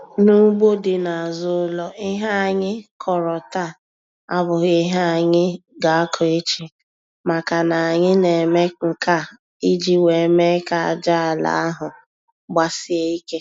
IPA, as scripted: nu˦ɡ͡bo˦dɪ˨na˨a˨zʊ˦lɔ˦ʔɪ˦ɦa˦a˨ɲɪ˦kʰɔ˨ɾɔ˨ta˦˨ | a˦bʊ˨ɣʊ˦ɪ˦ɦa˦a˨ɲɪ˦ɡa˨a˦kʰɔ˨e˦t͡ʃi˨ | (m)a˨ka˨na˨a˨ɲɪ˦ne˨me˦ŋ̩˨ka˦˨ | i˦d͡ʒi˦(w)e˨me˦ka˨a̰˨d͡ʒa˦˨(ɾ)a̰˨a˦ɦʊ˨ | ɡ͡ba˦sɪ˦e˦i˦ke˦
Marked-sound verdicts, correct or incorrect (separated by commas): correct, correct, incorrect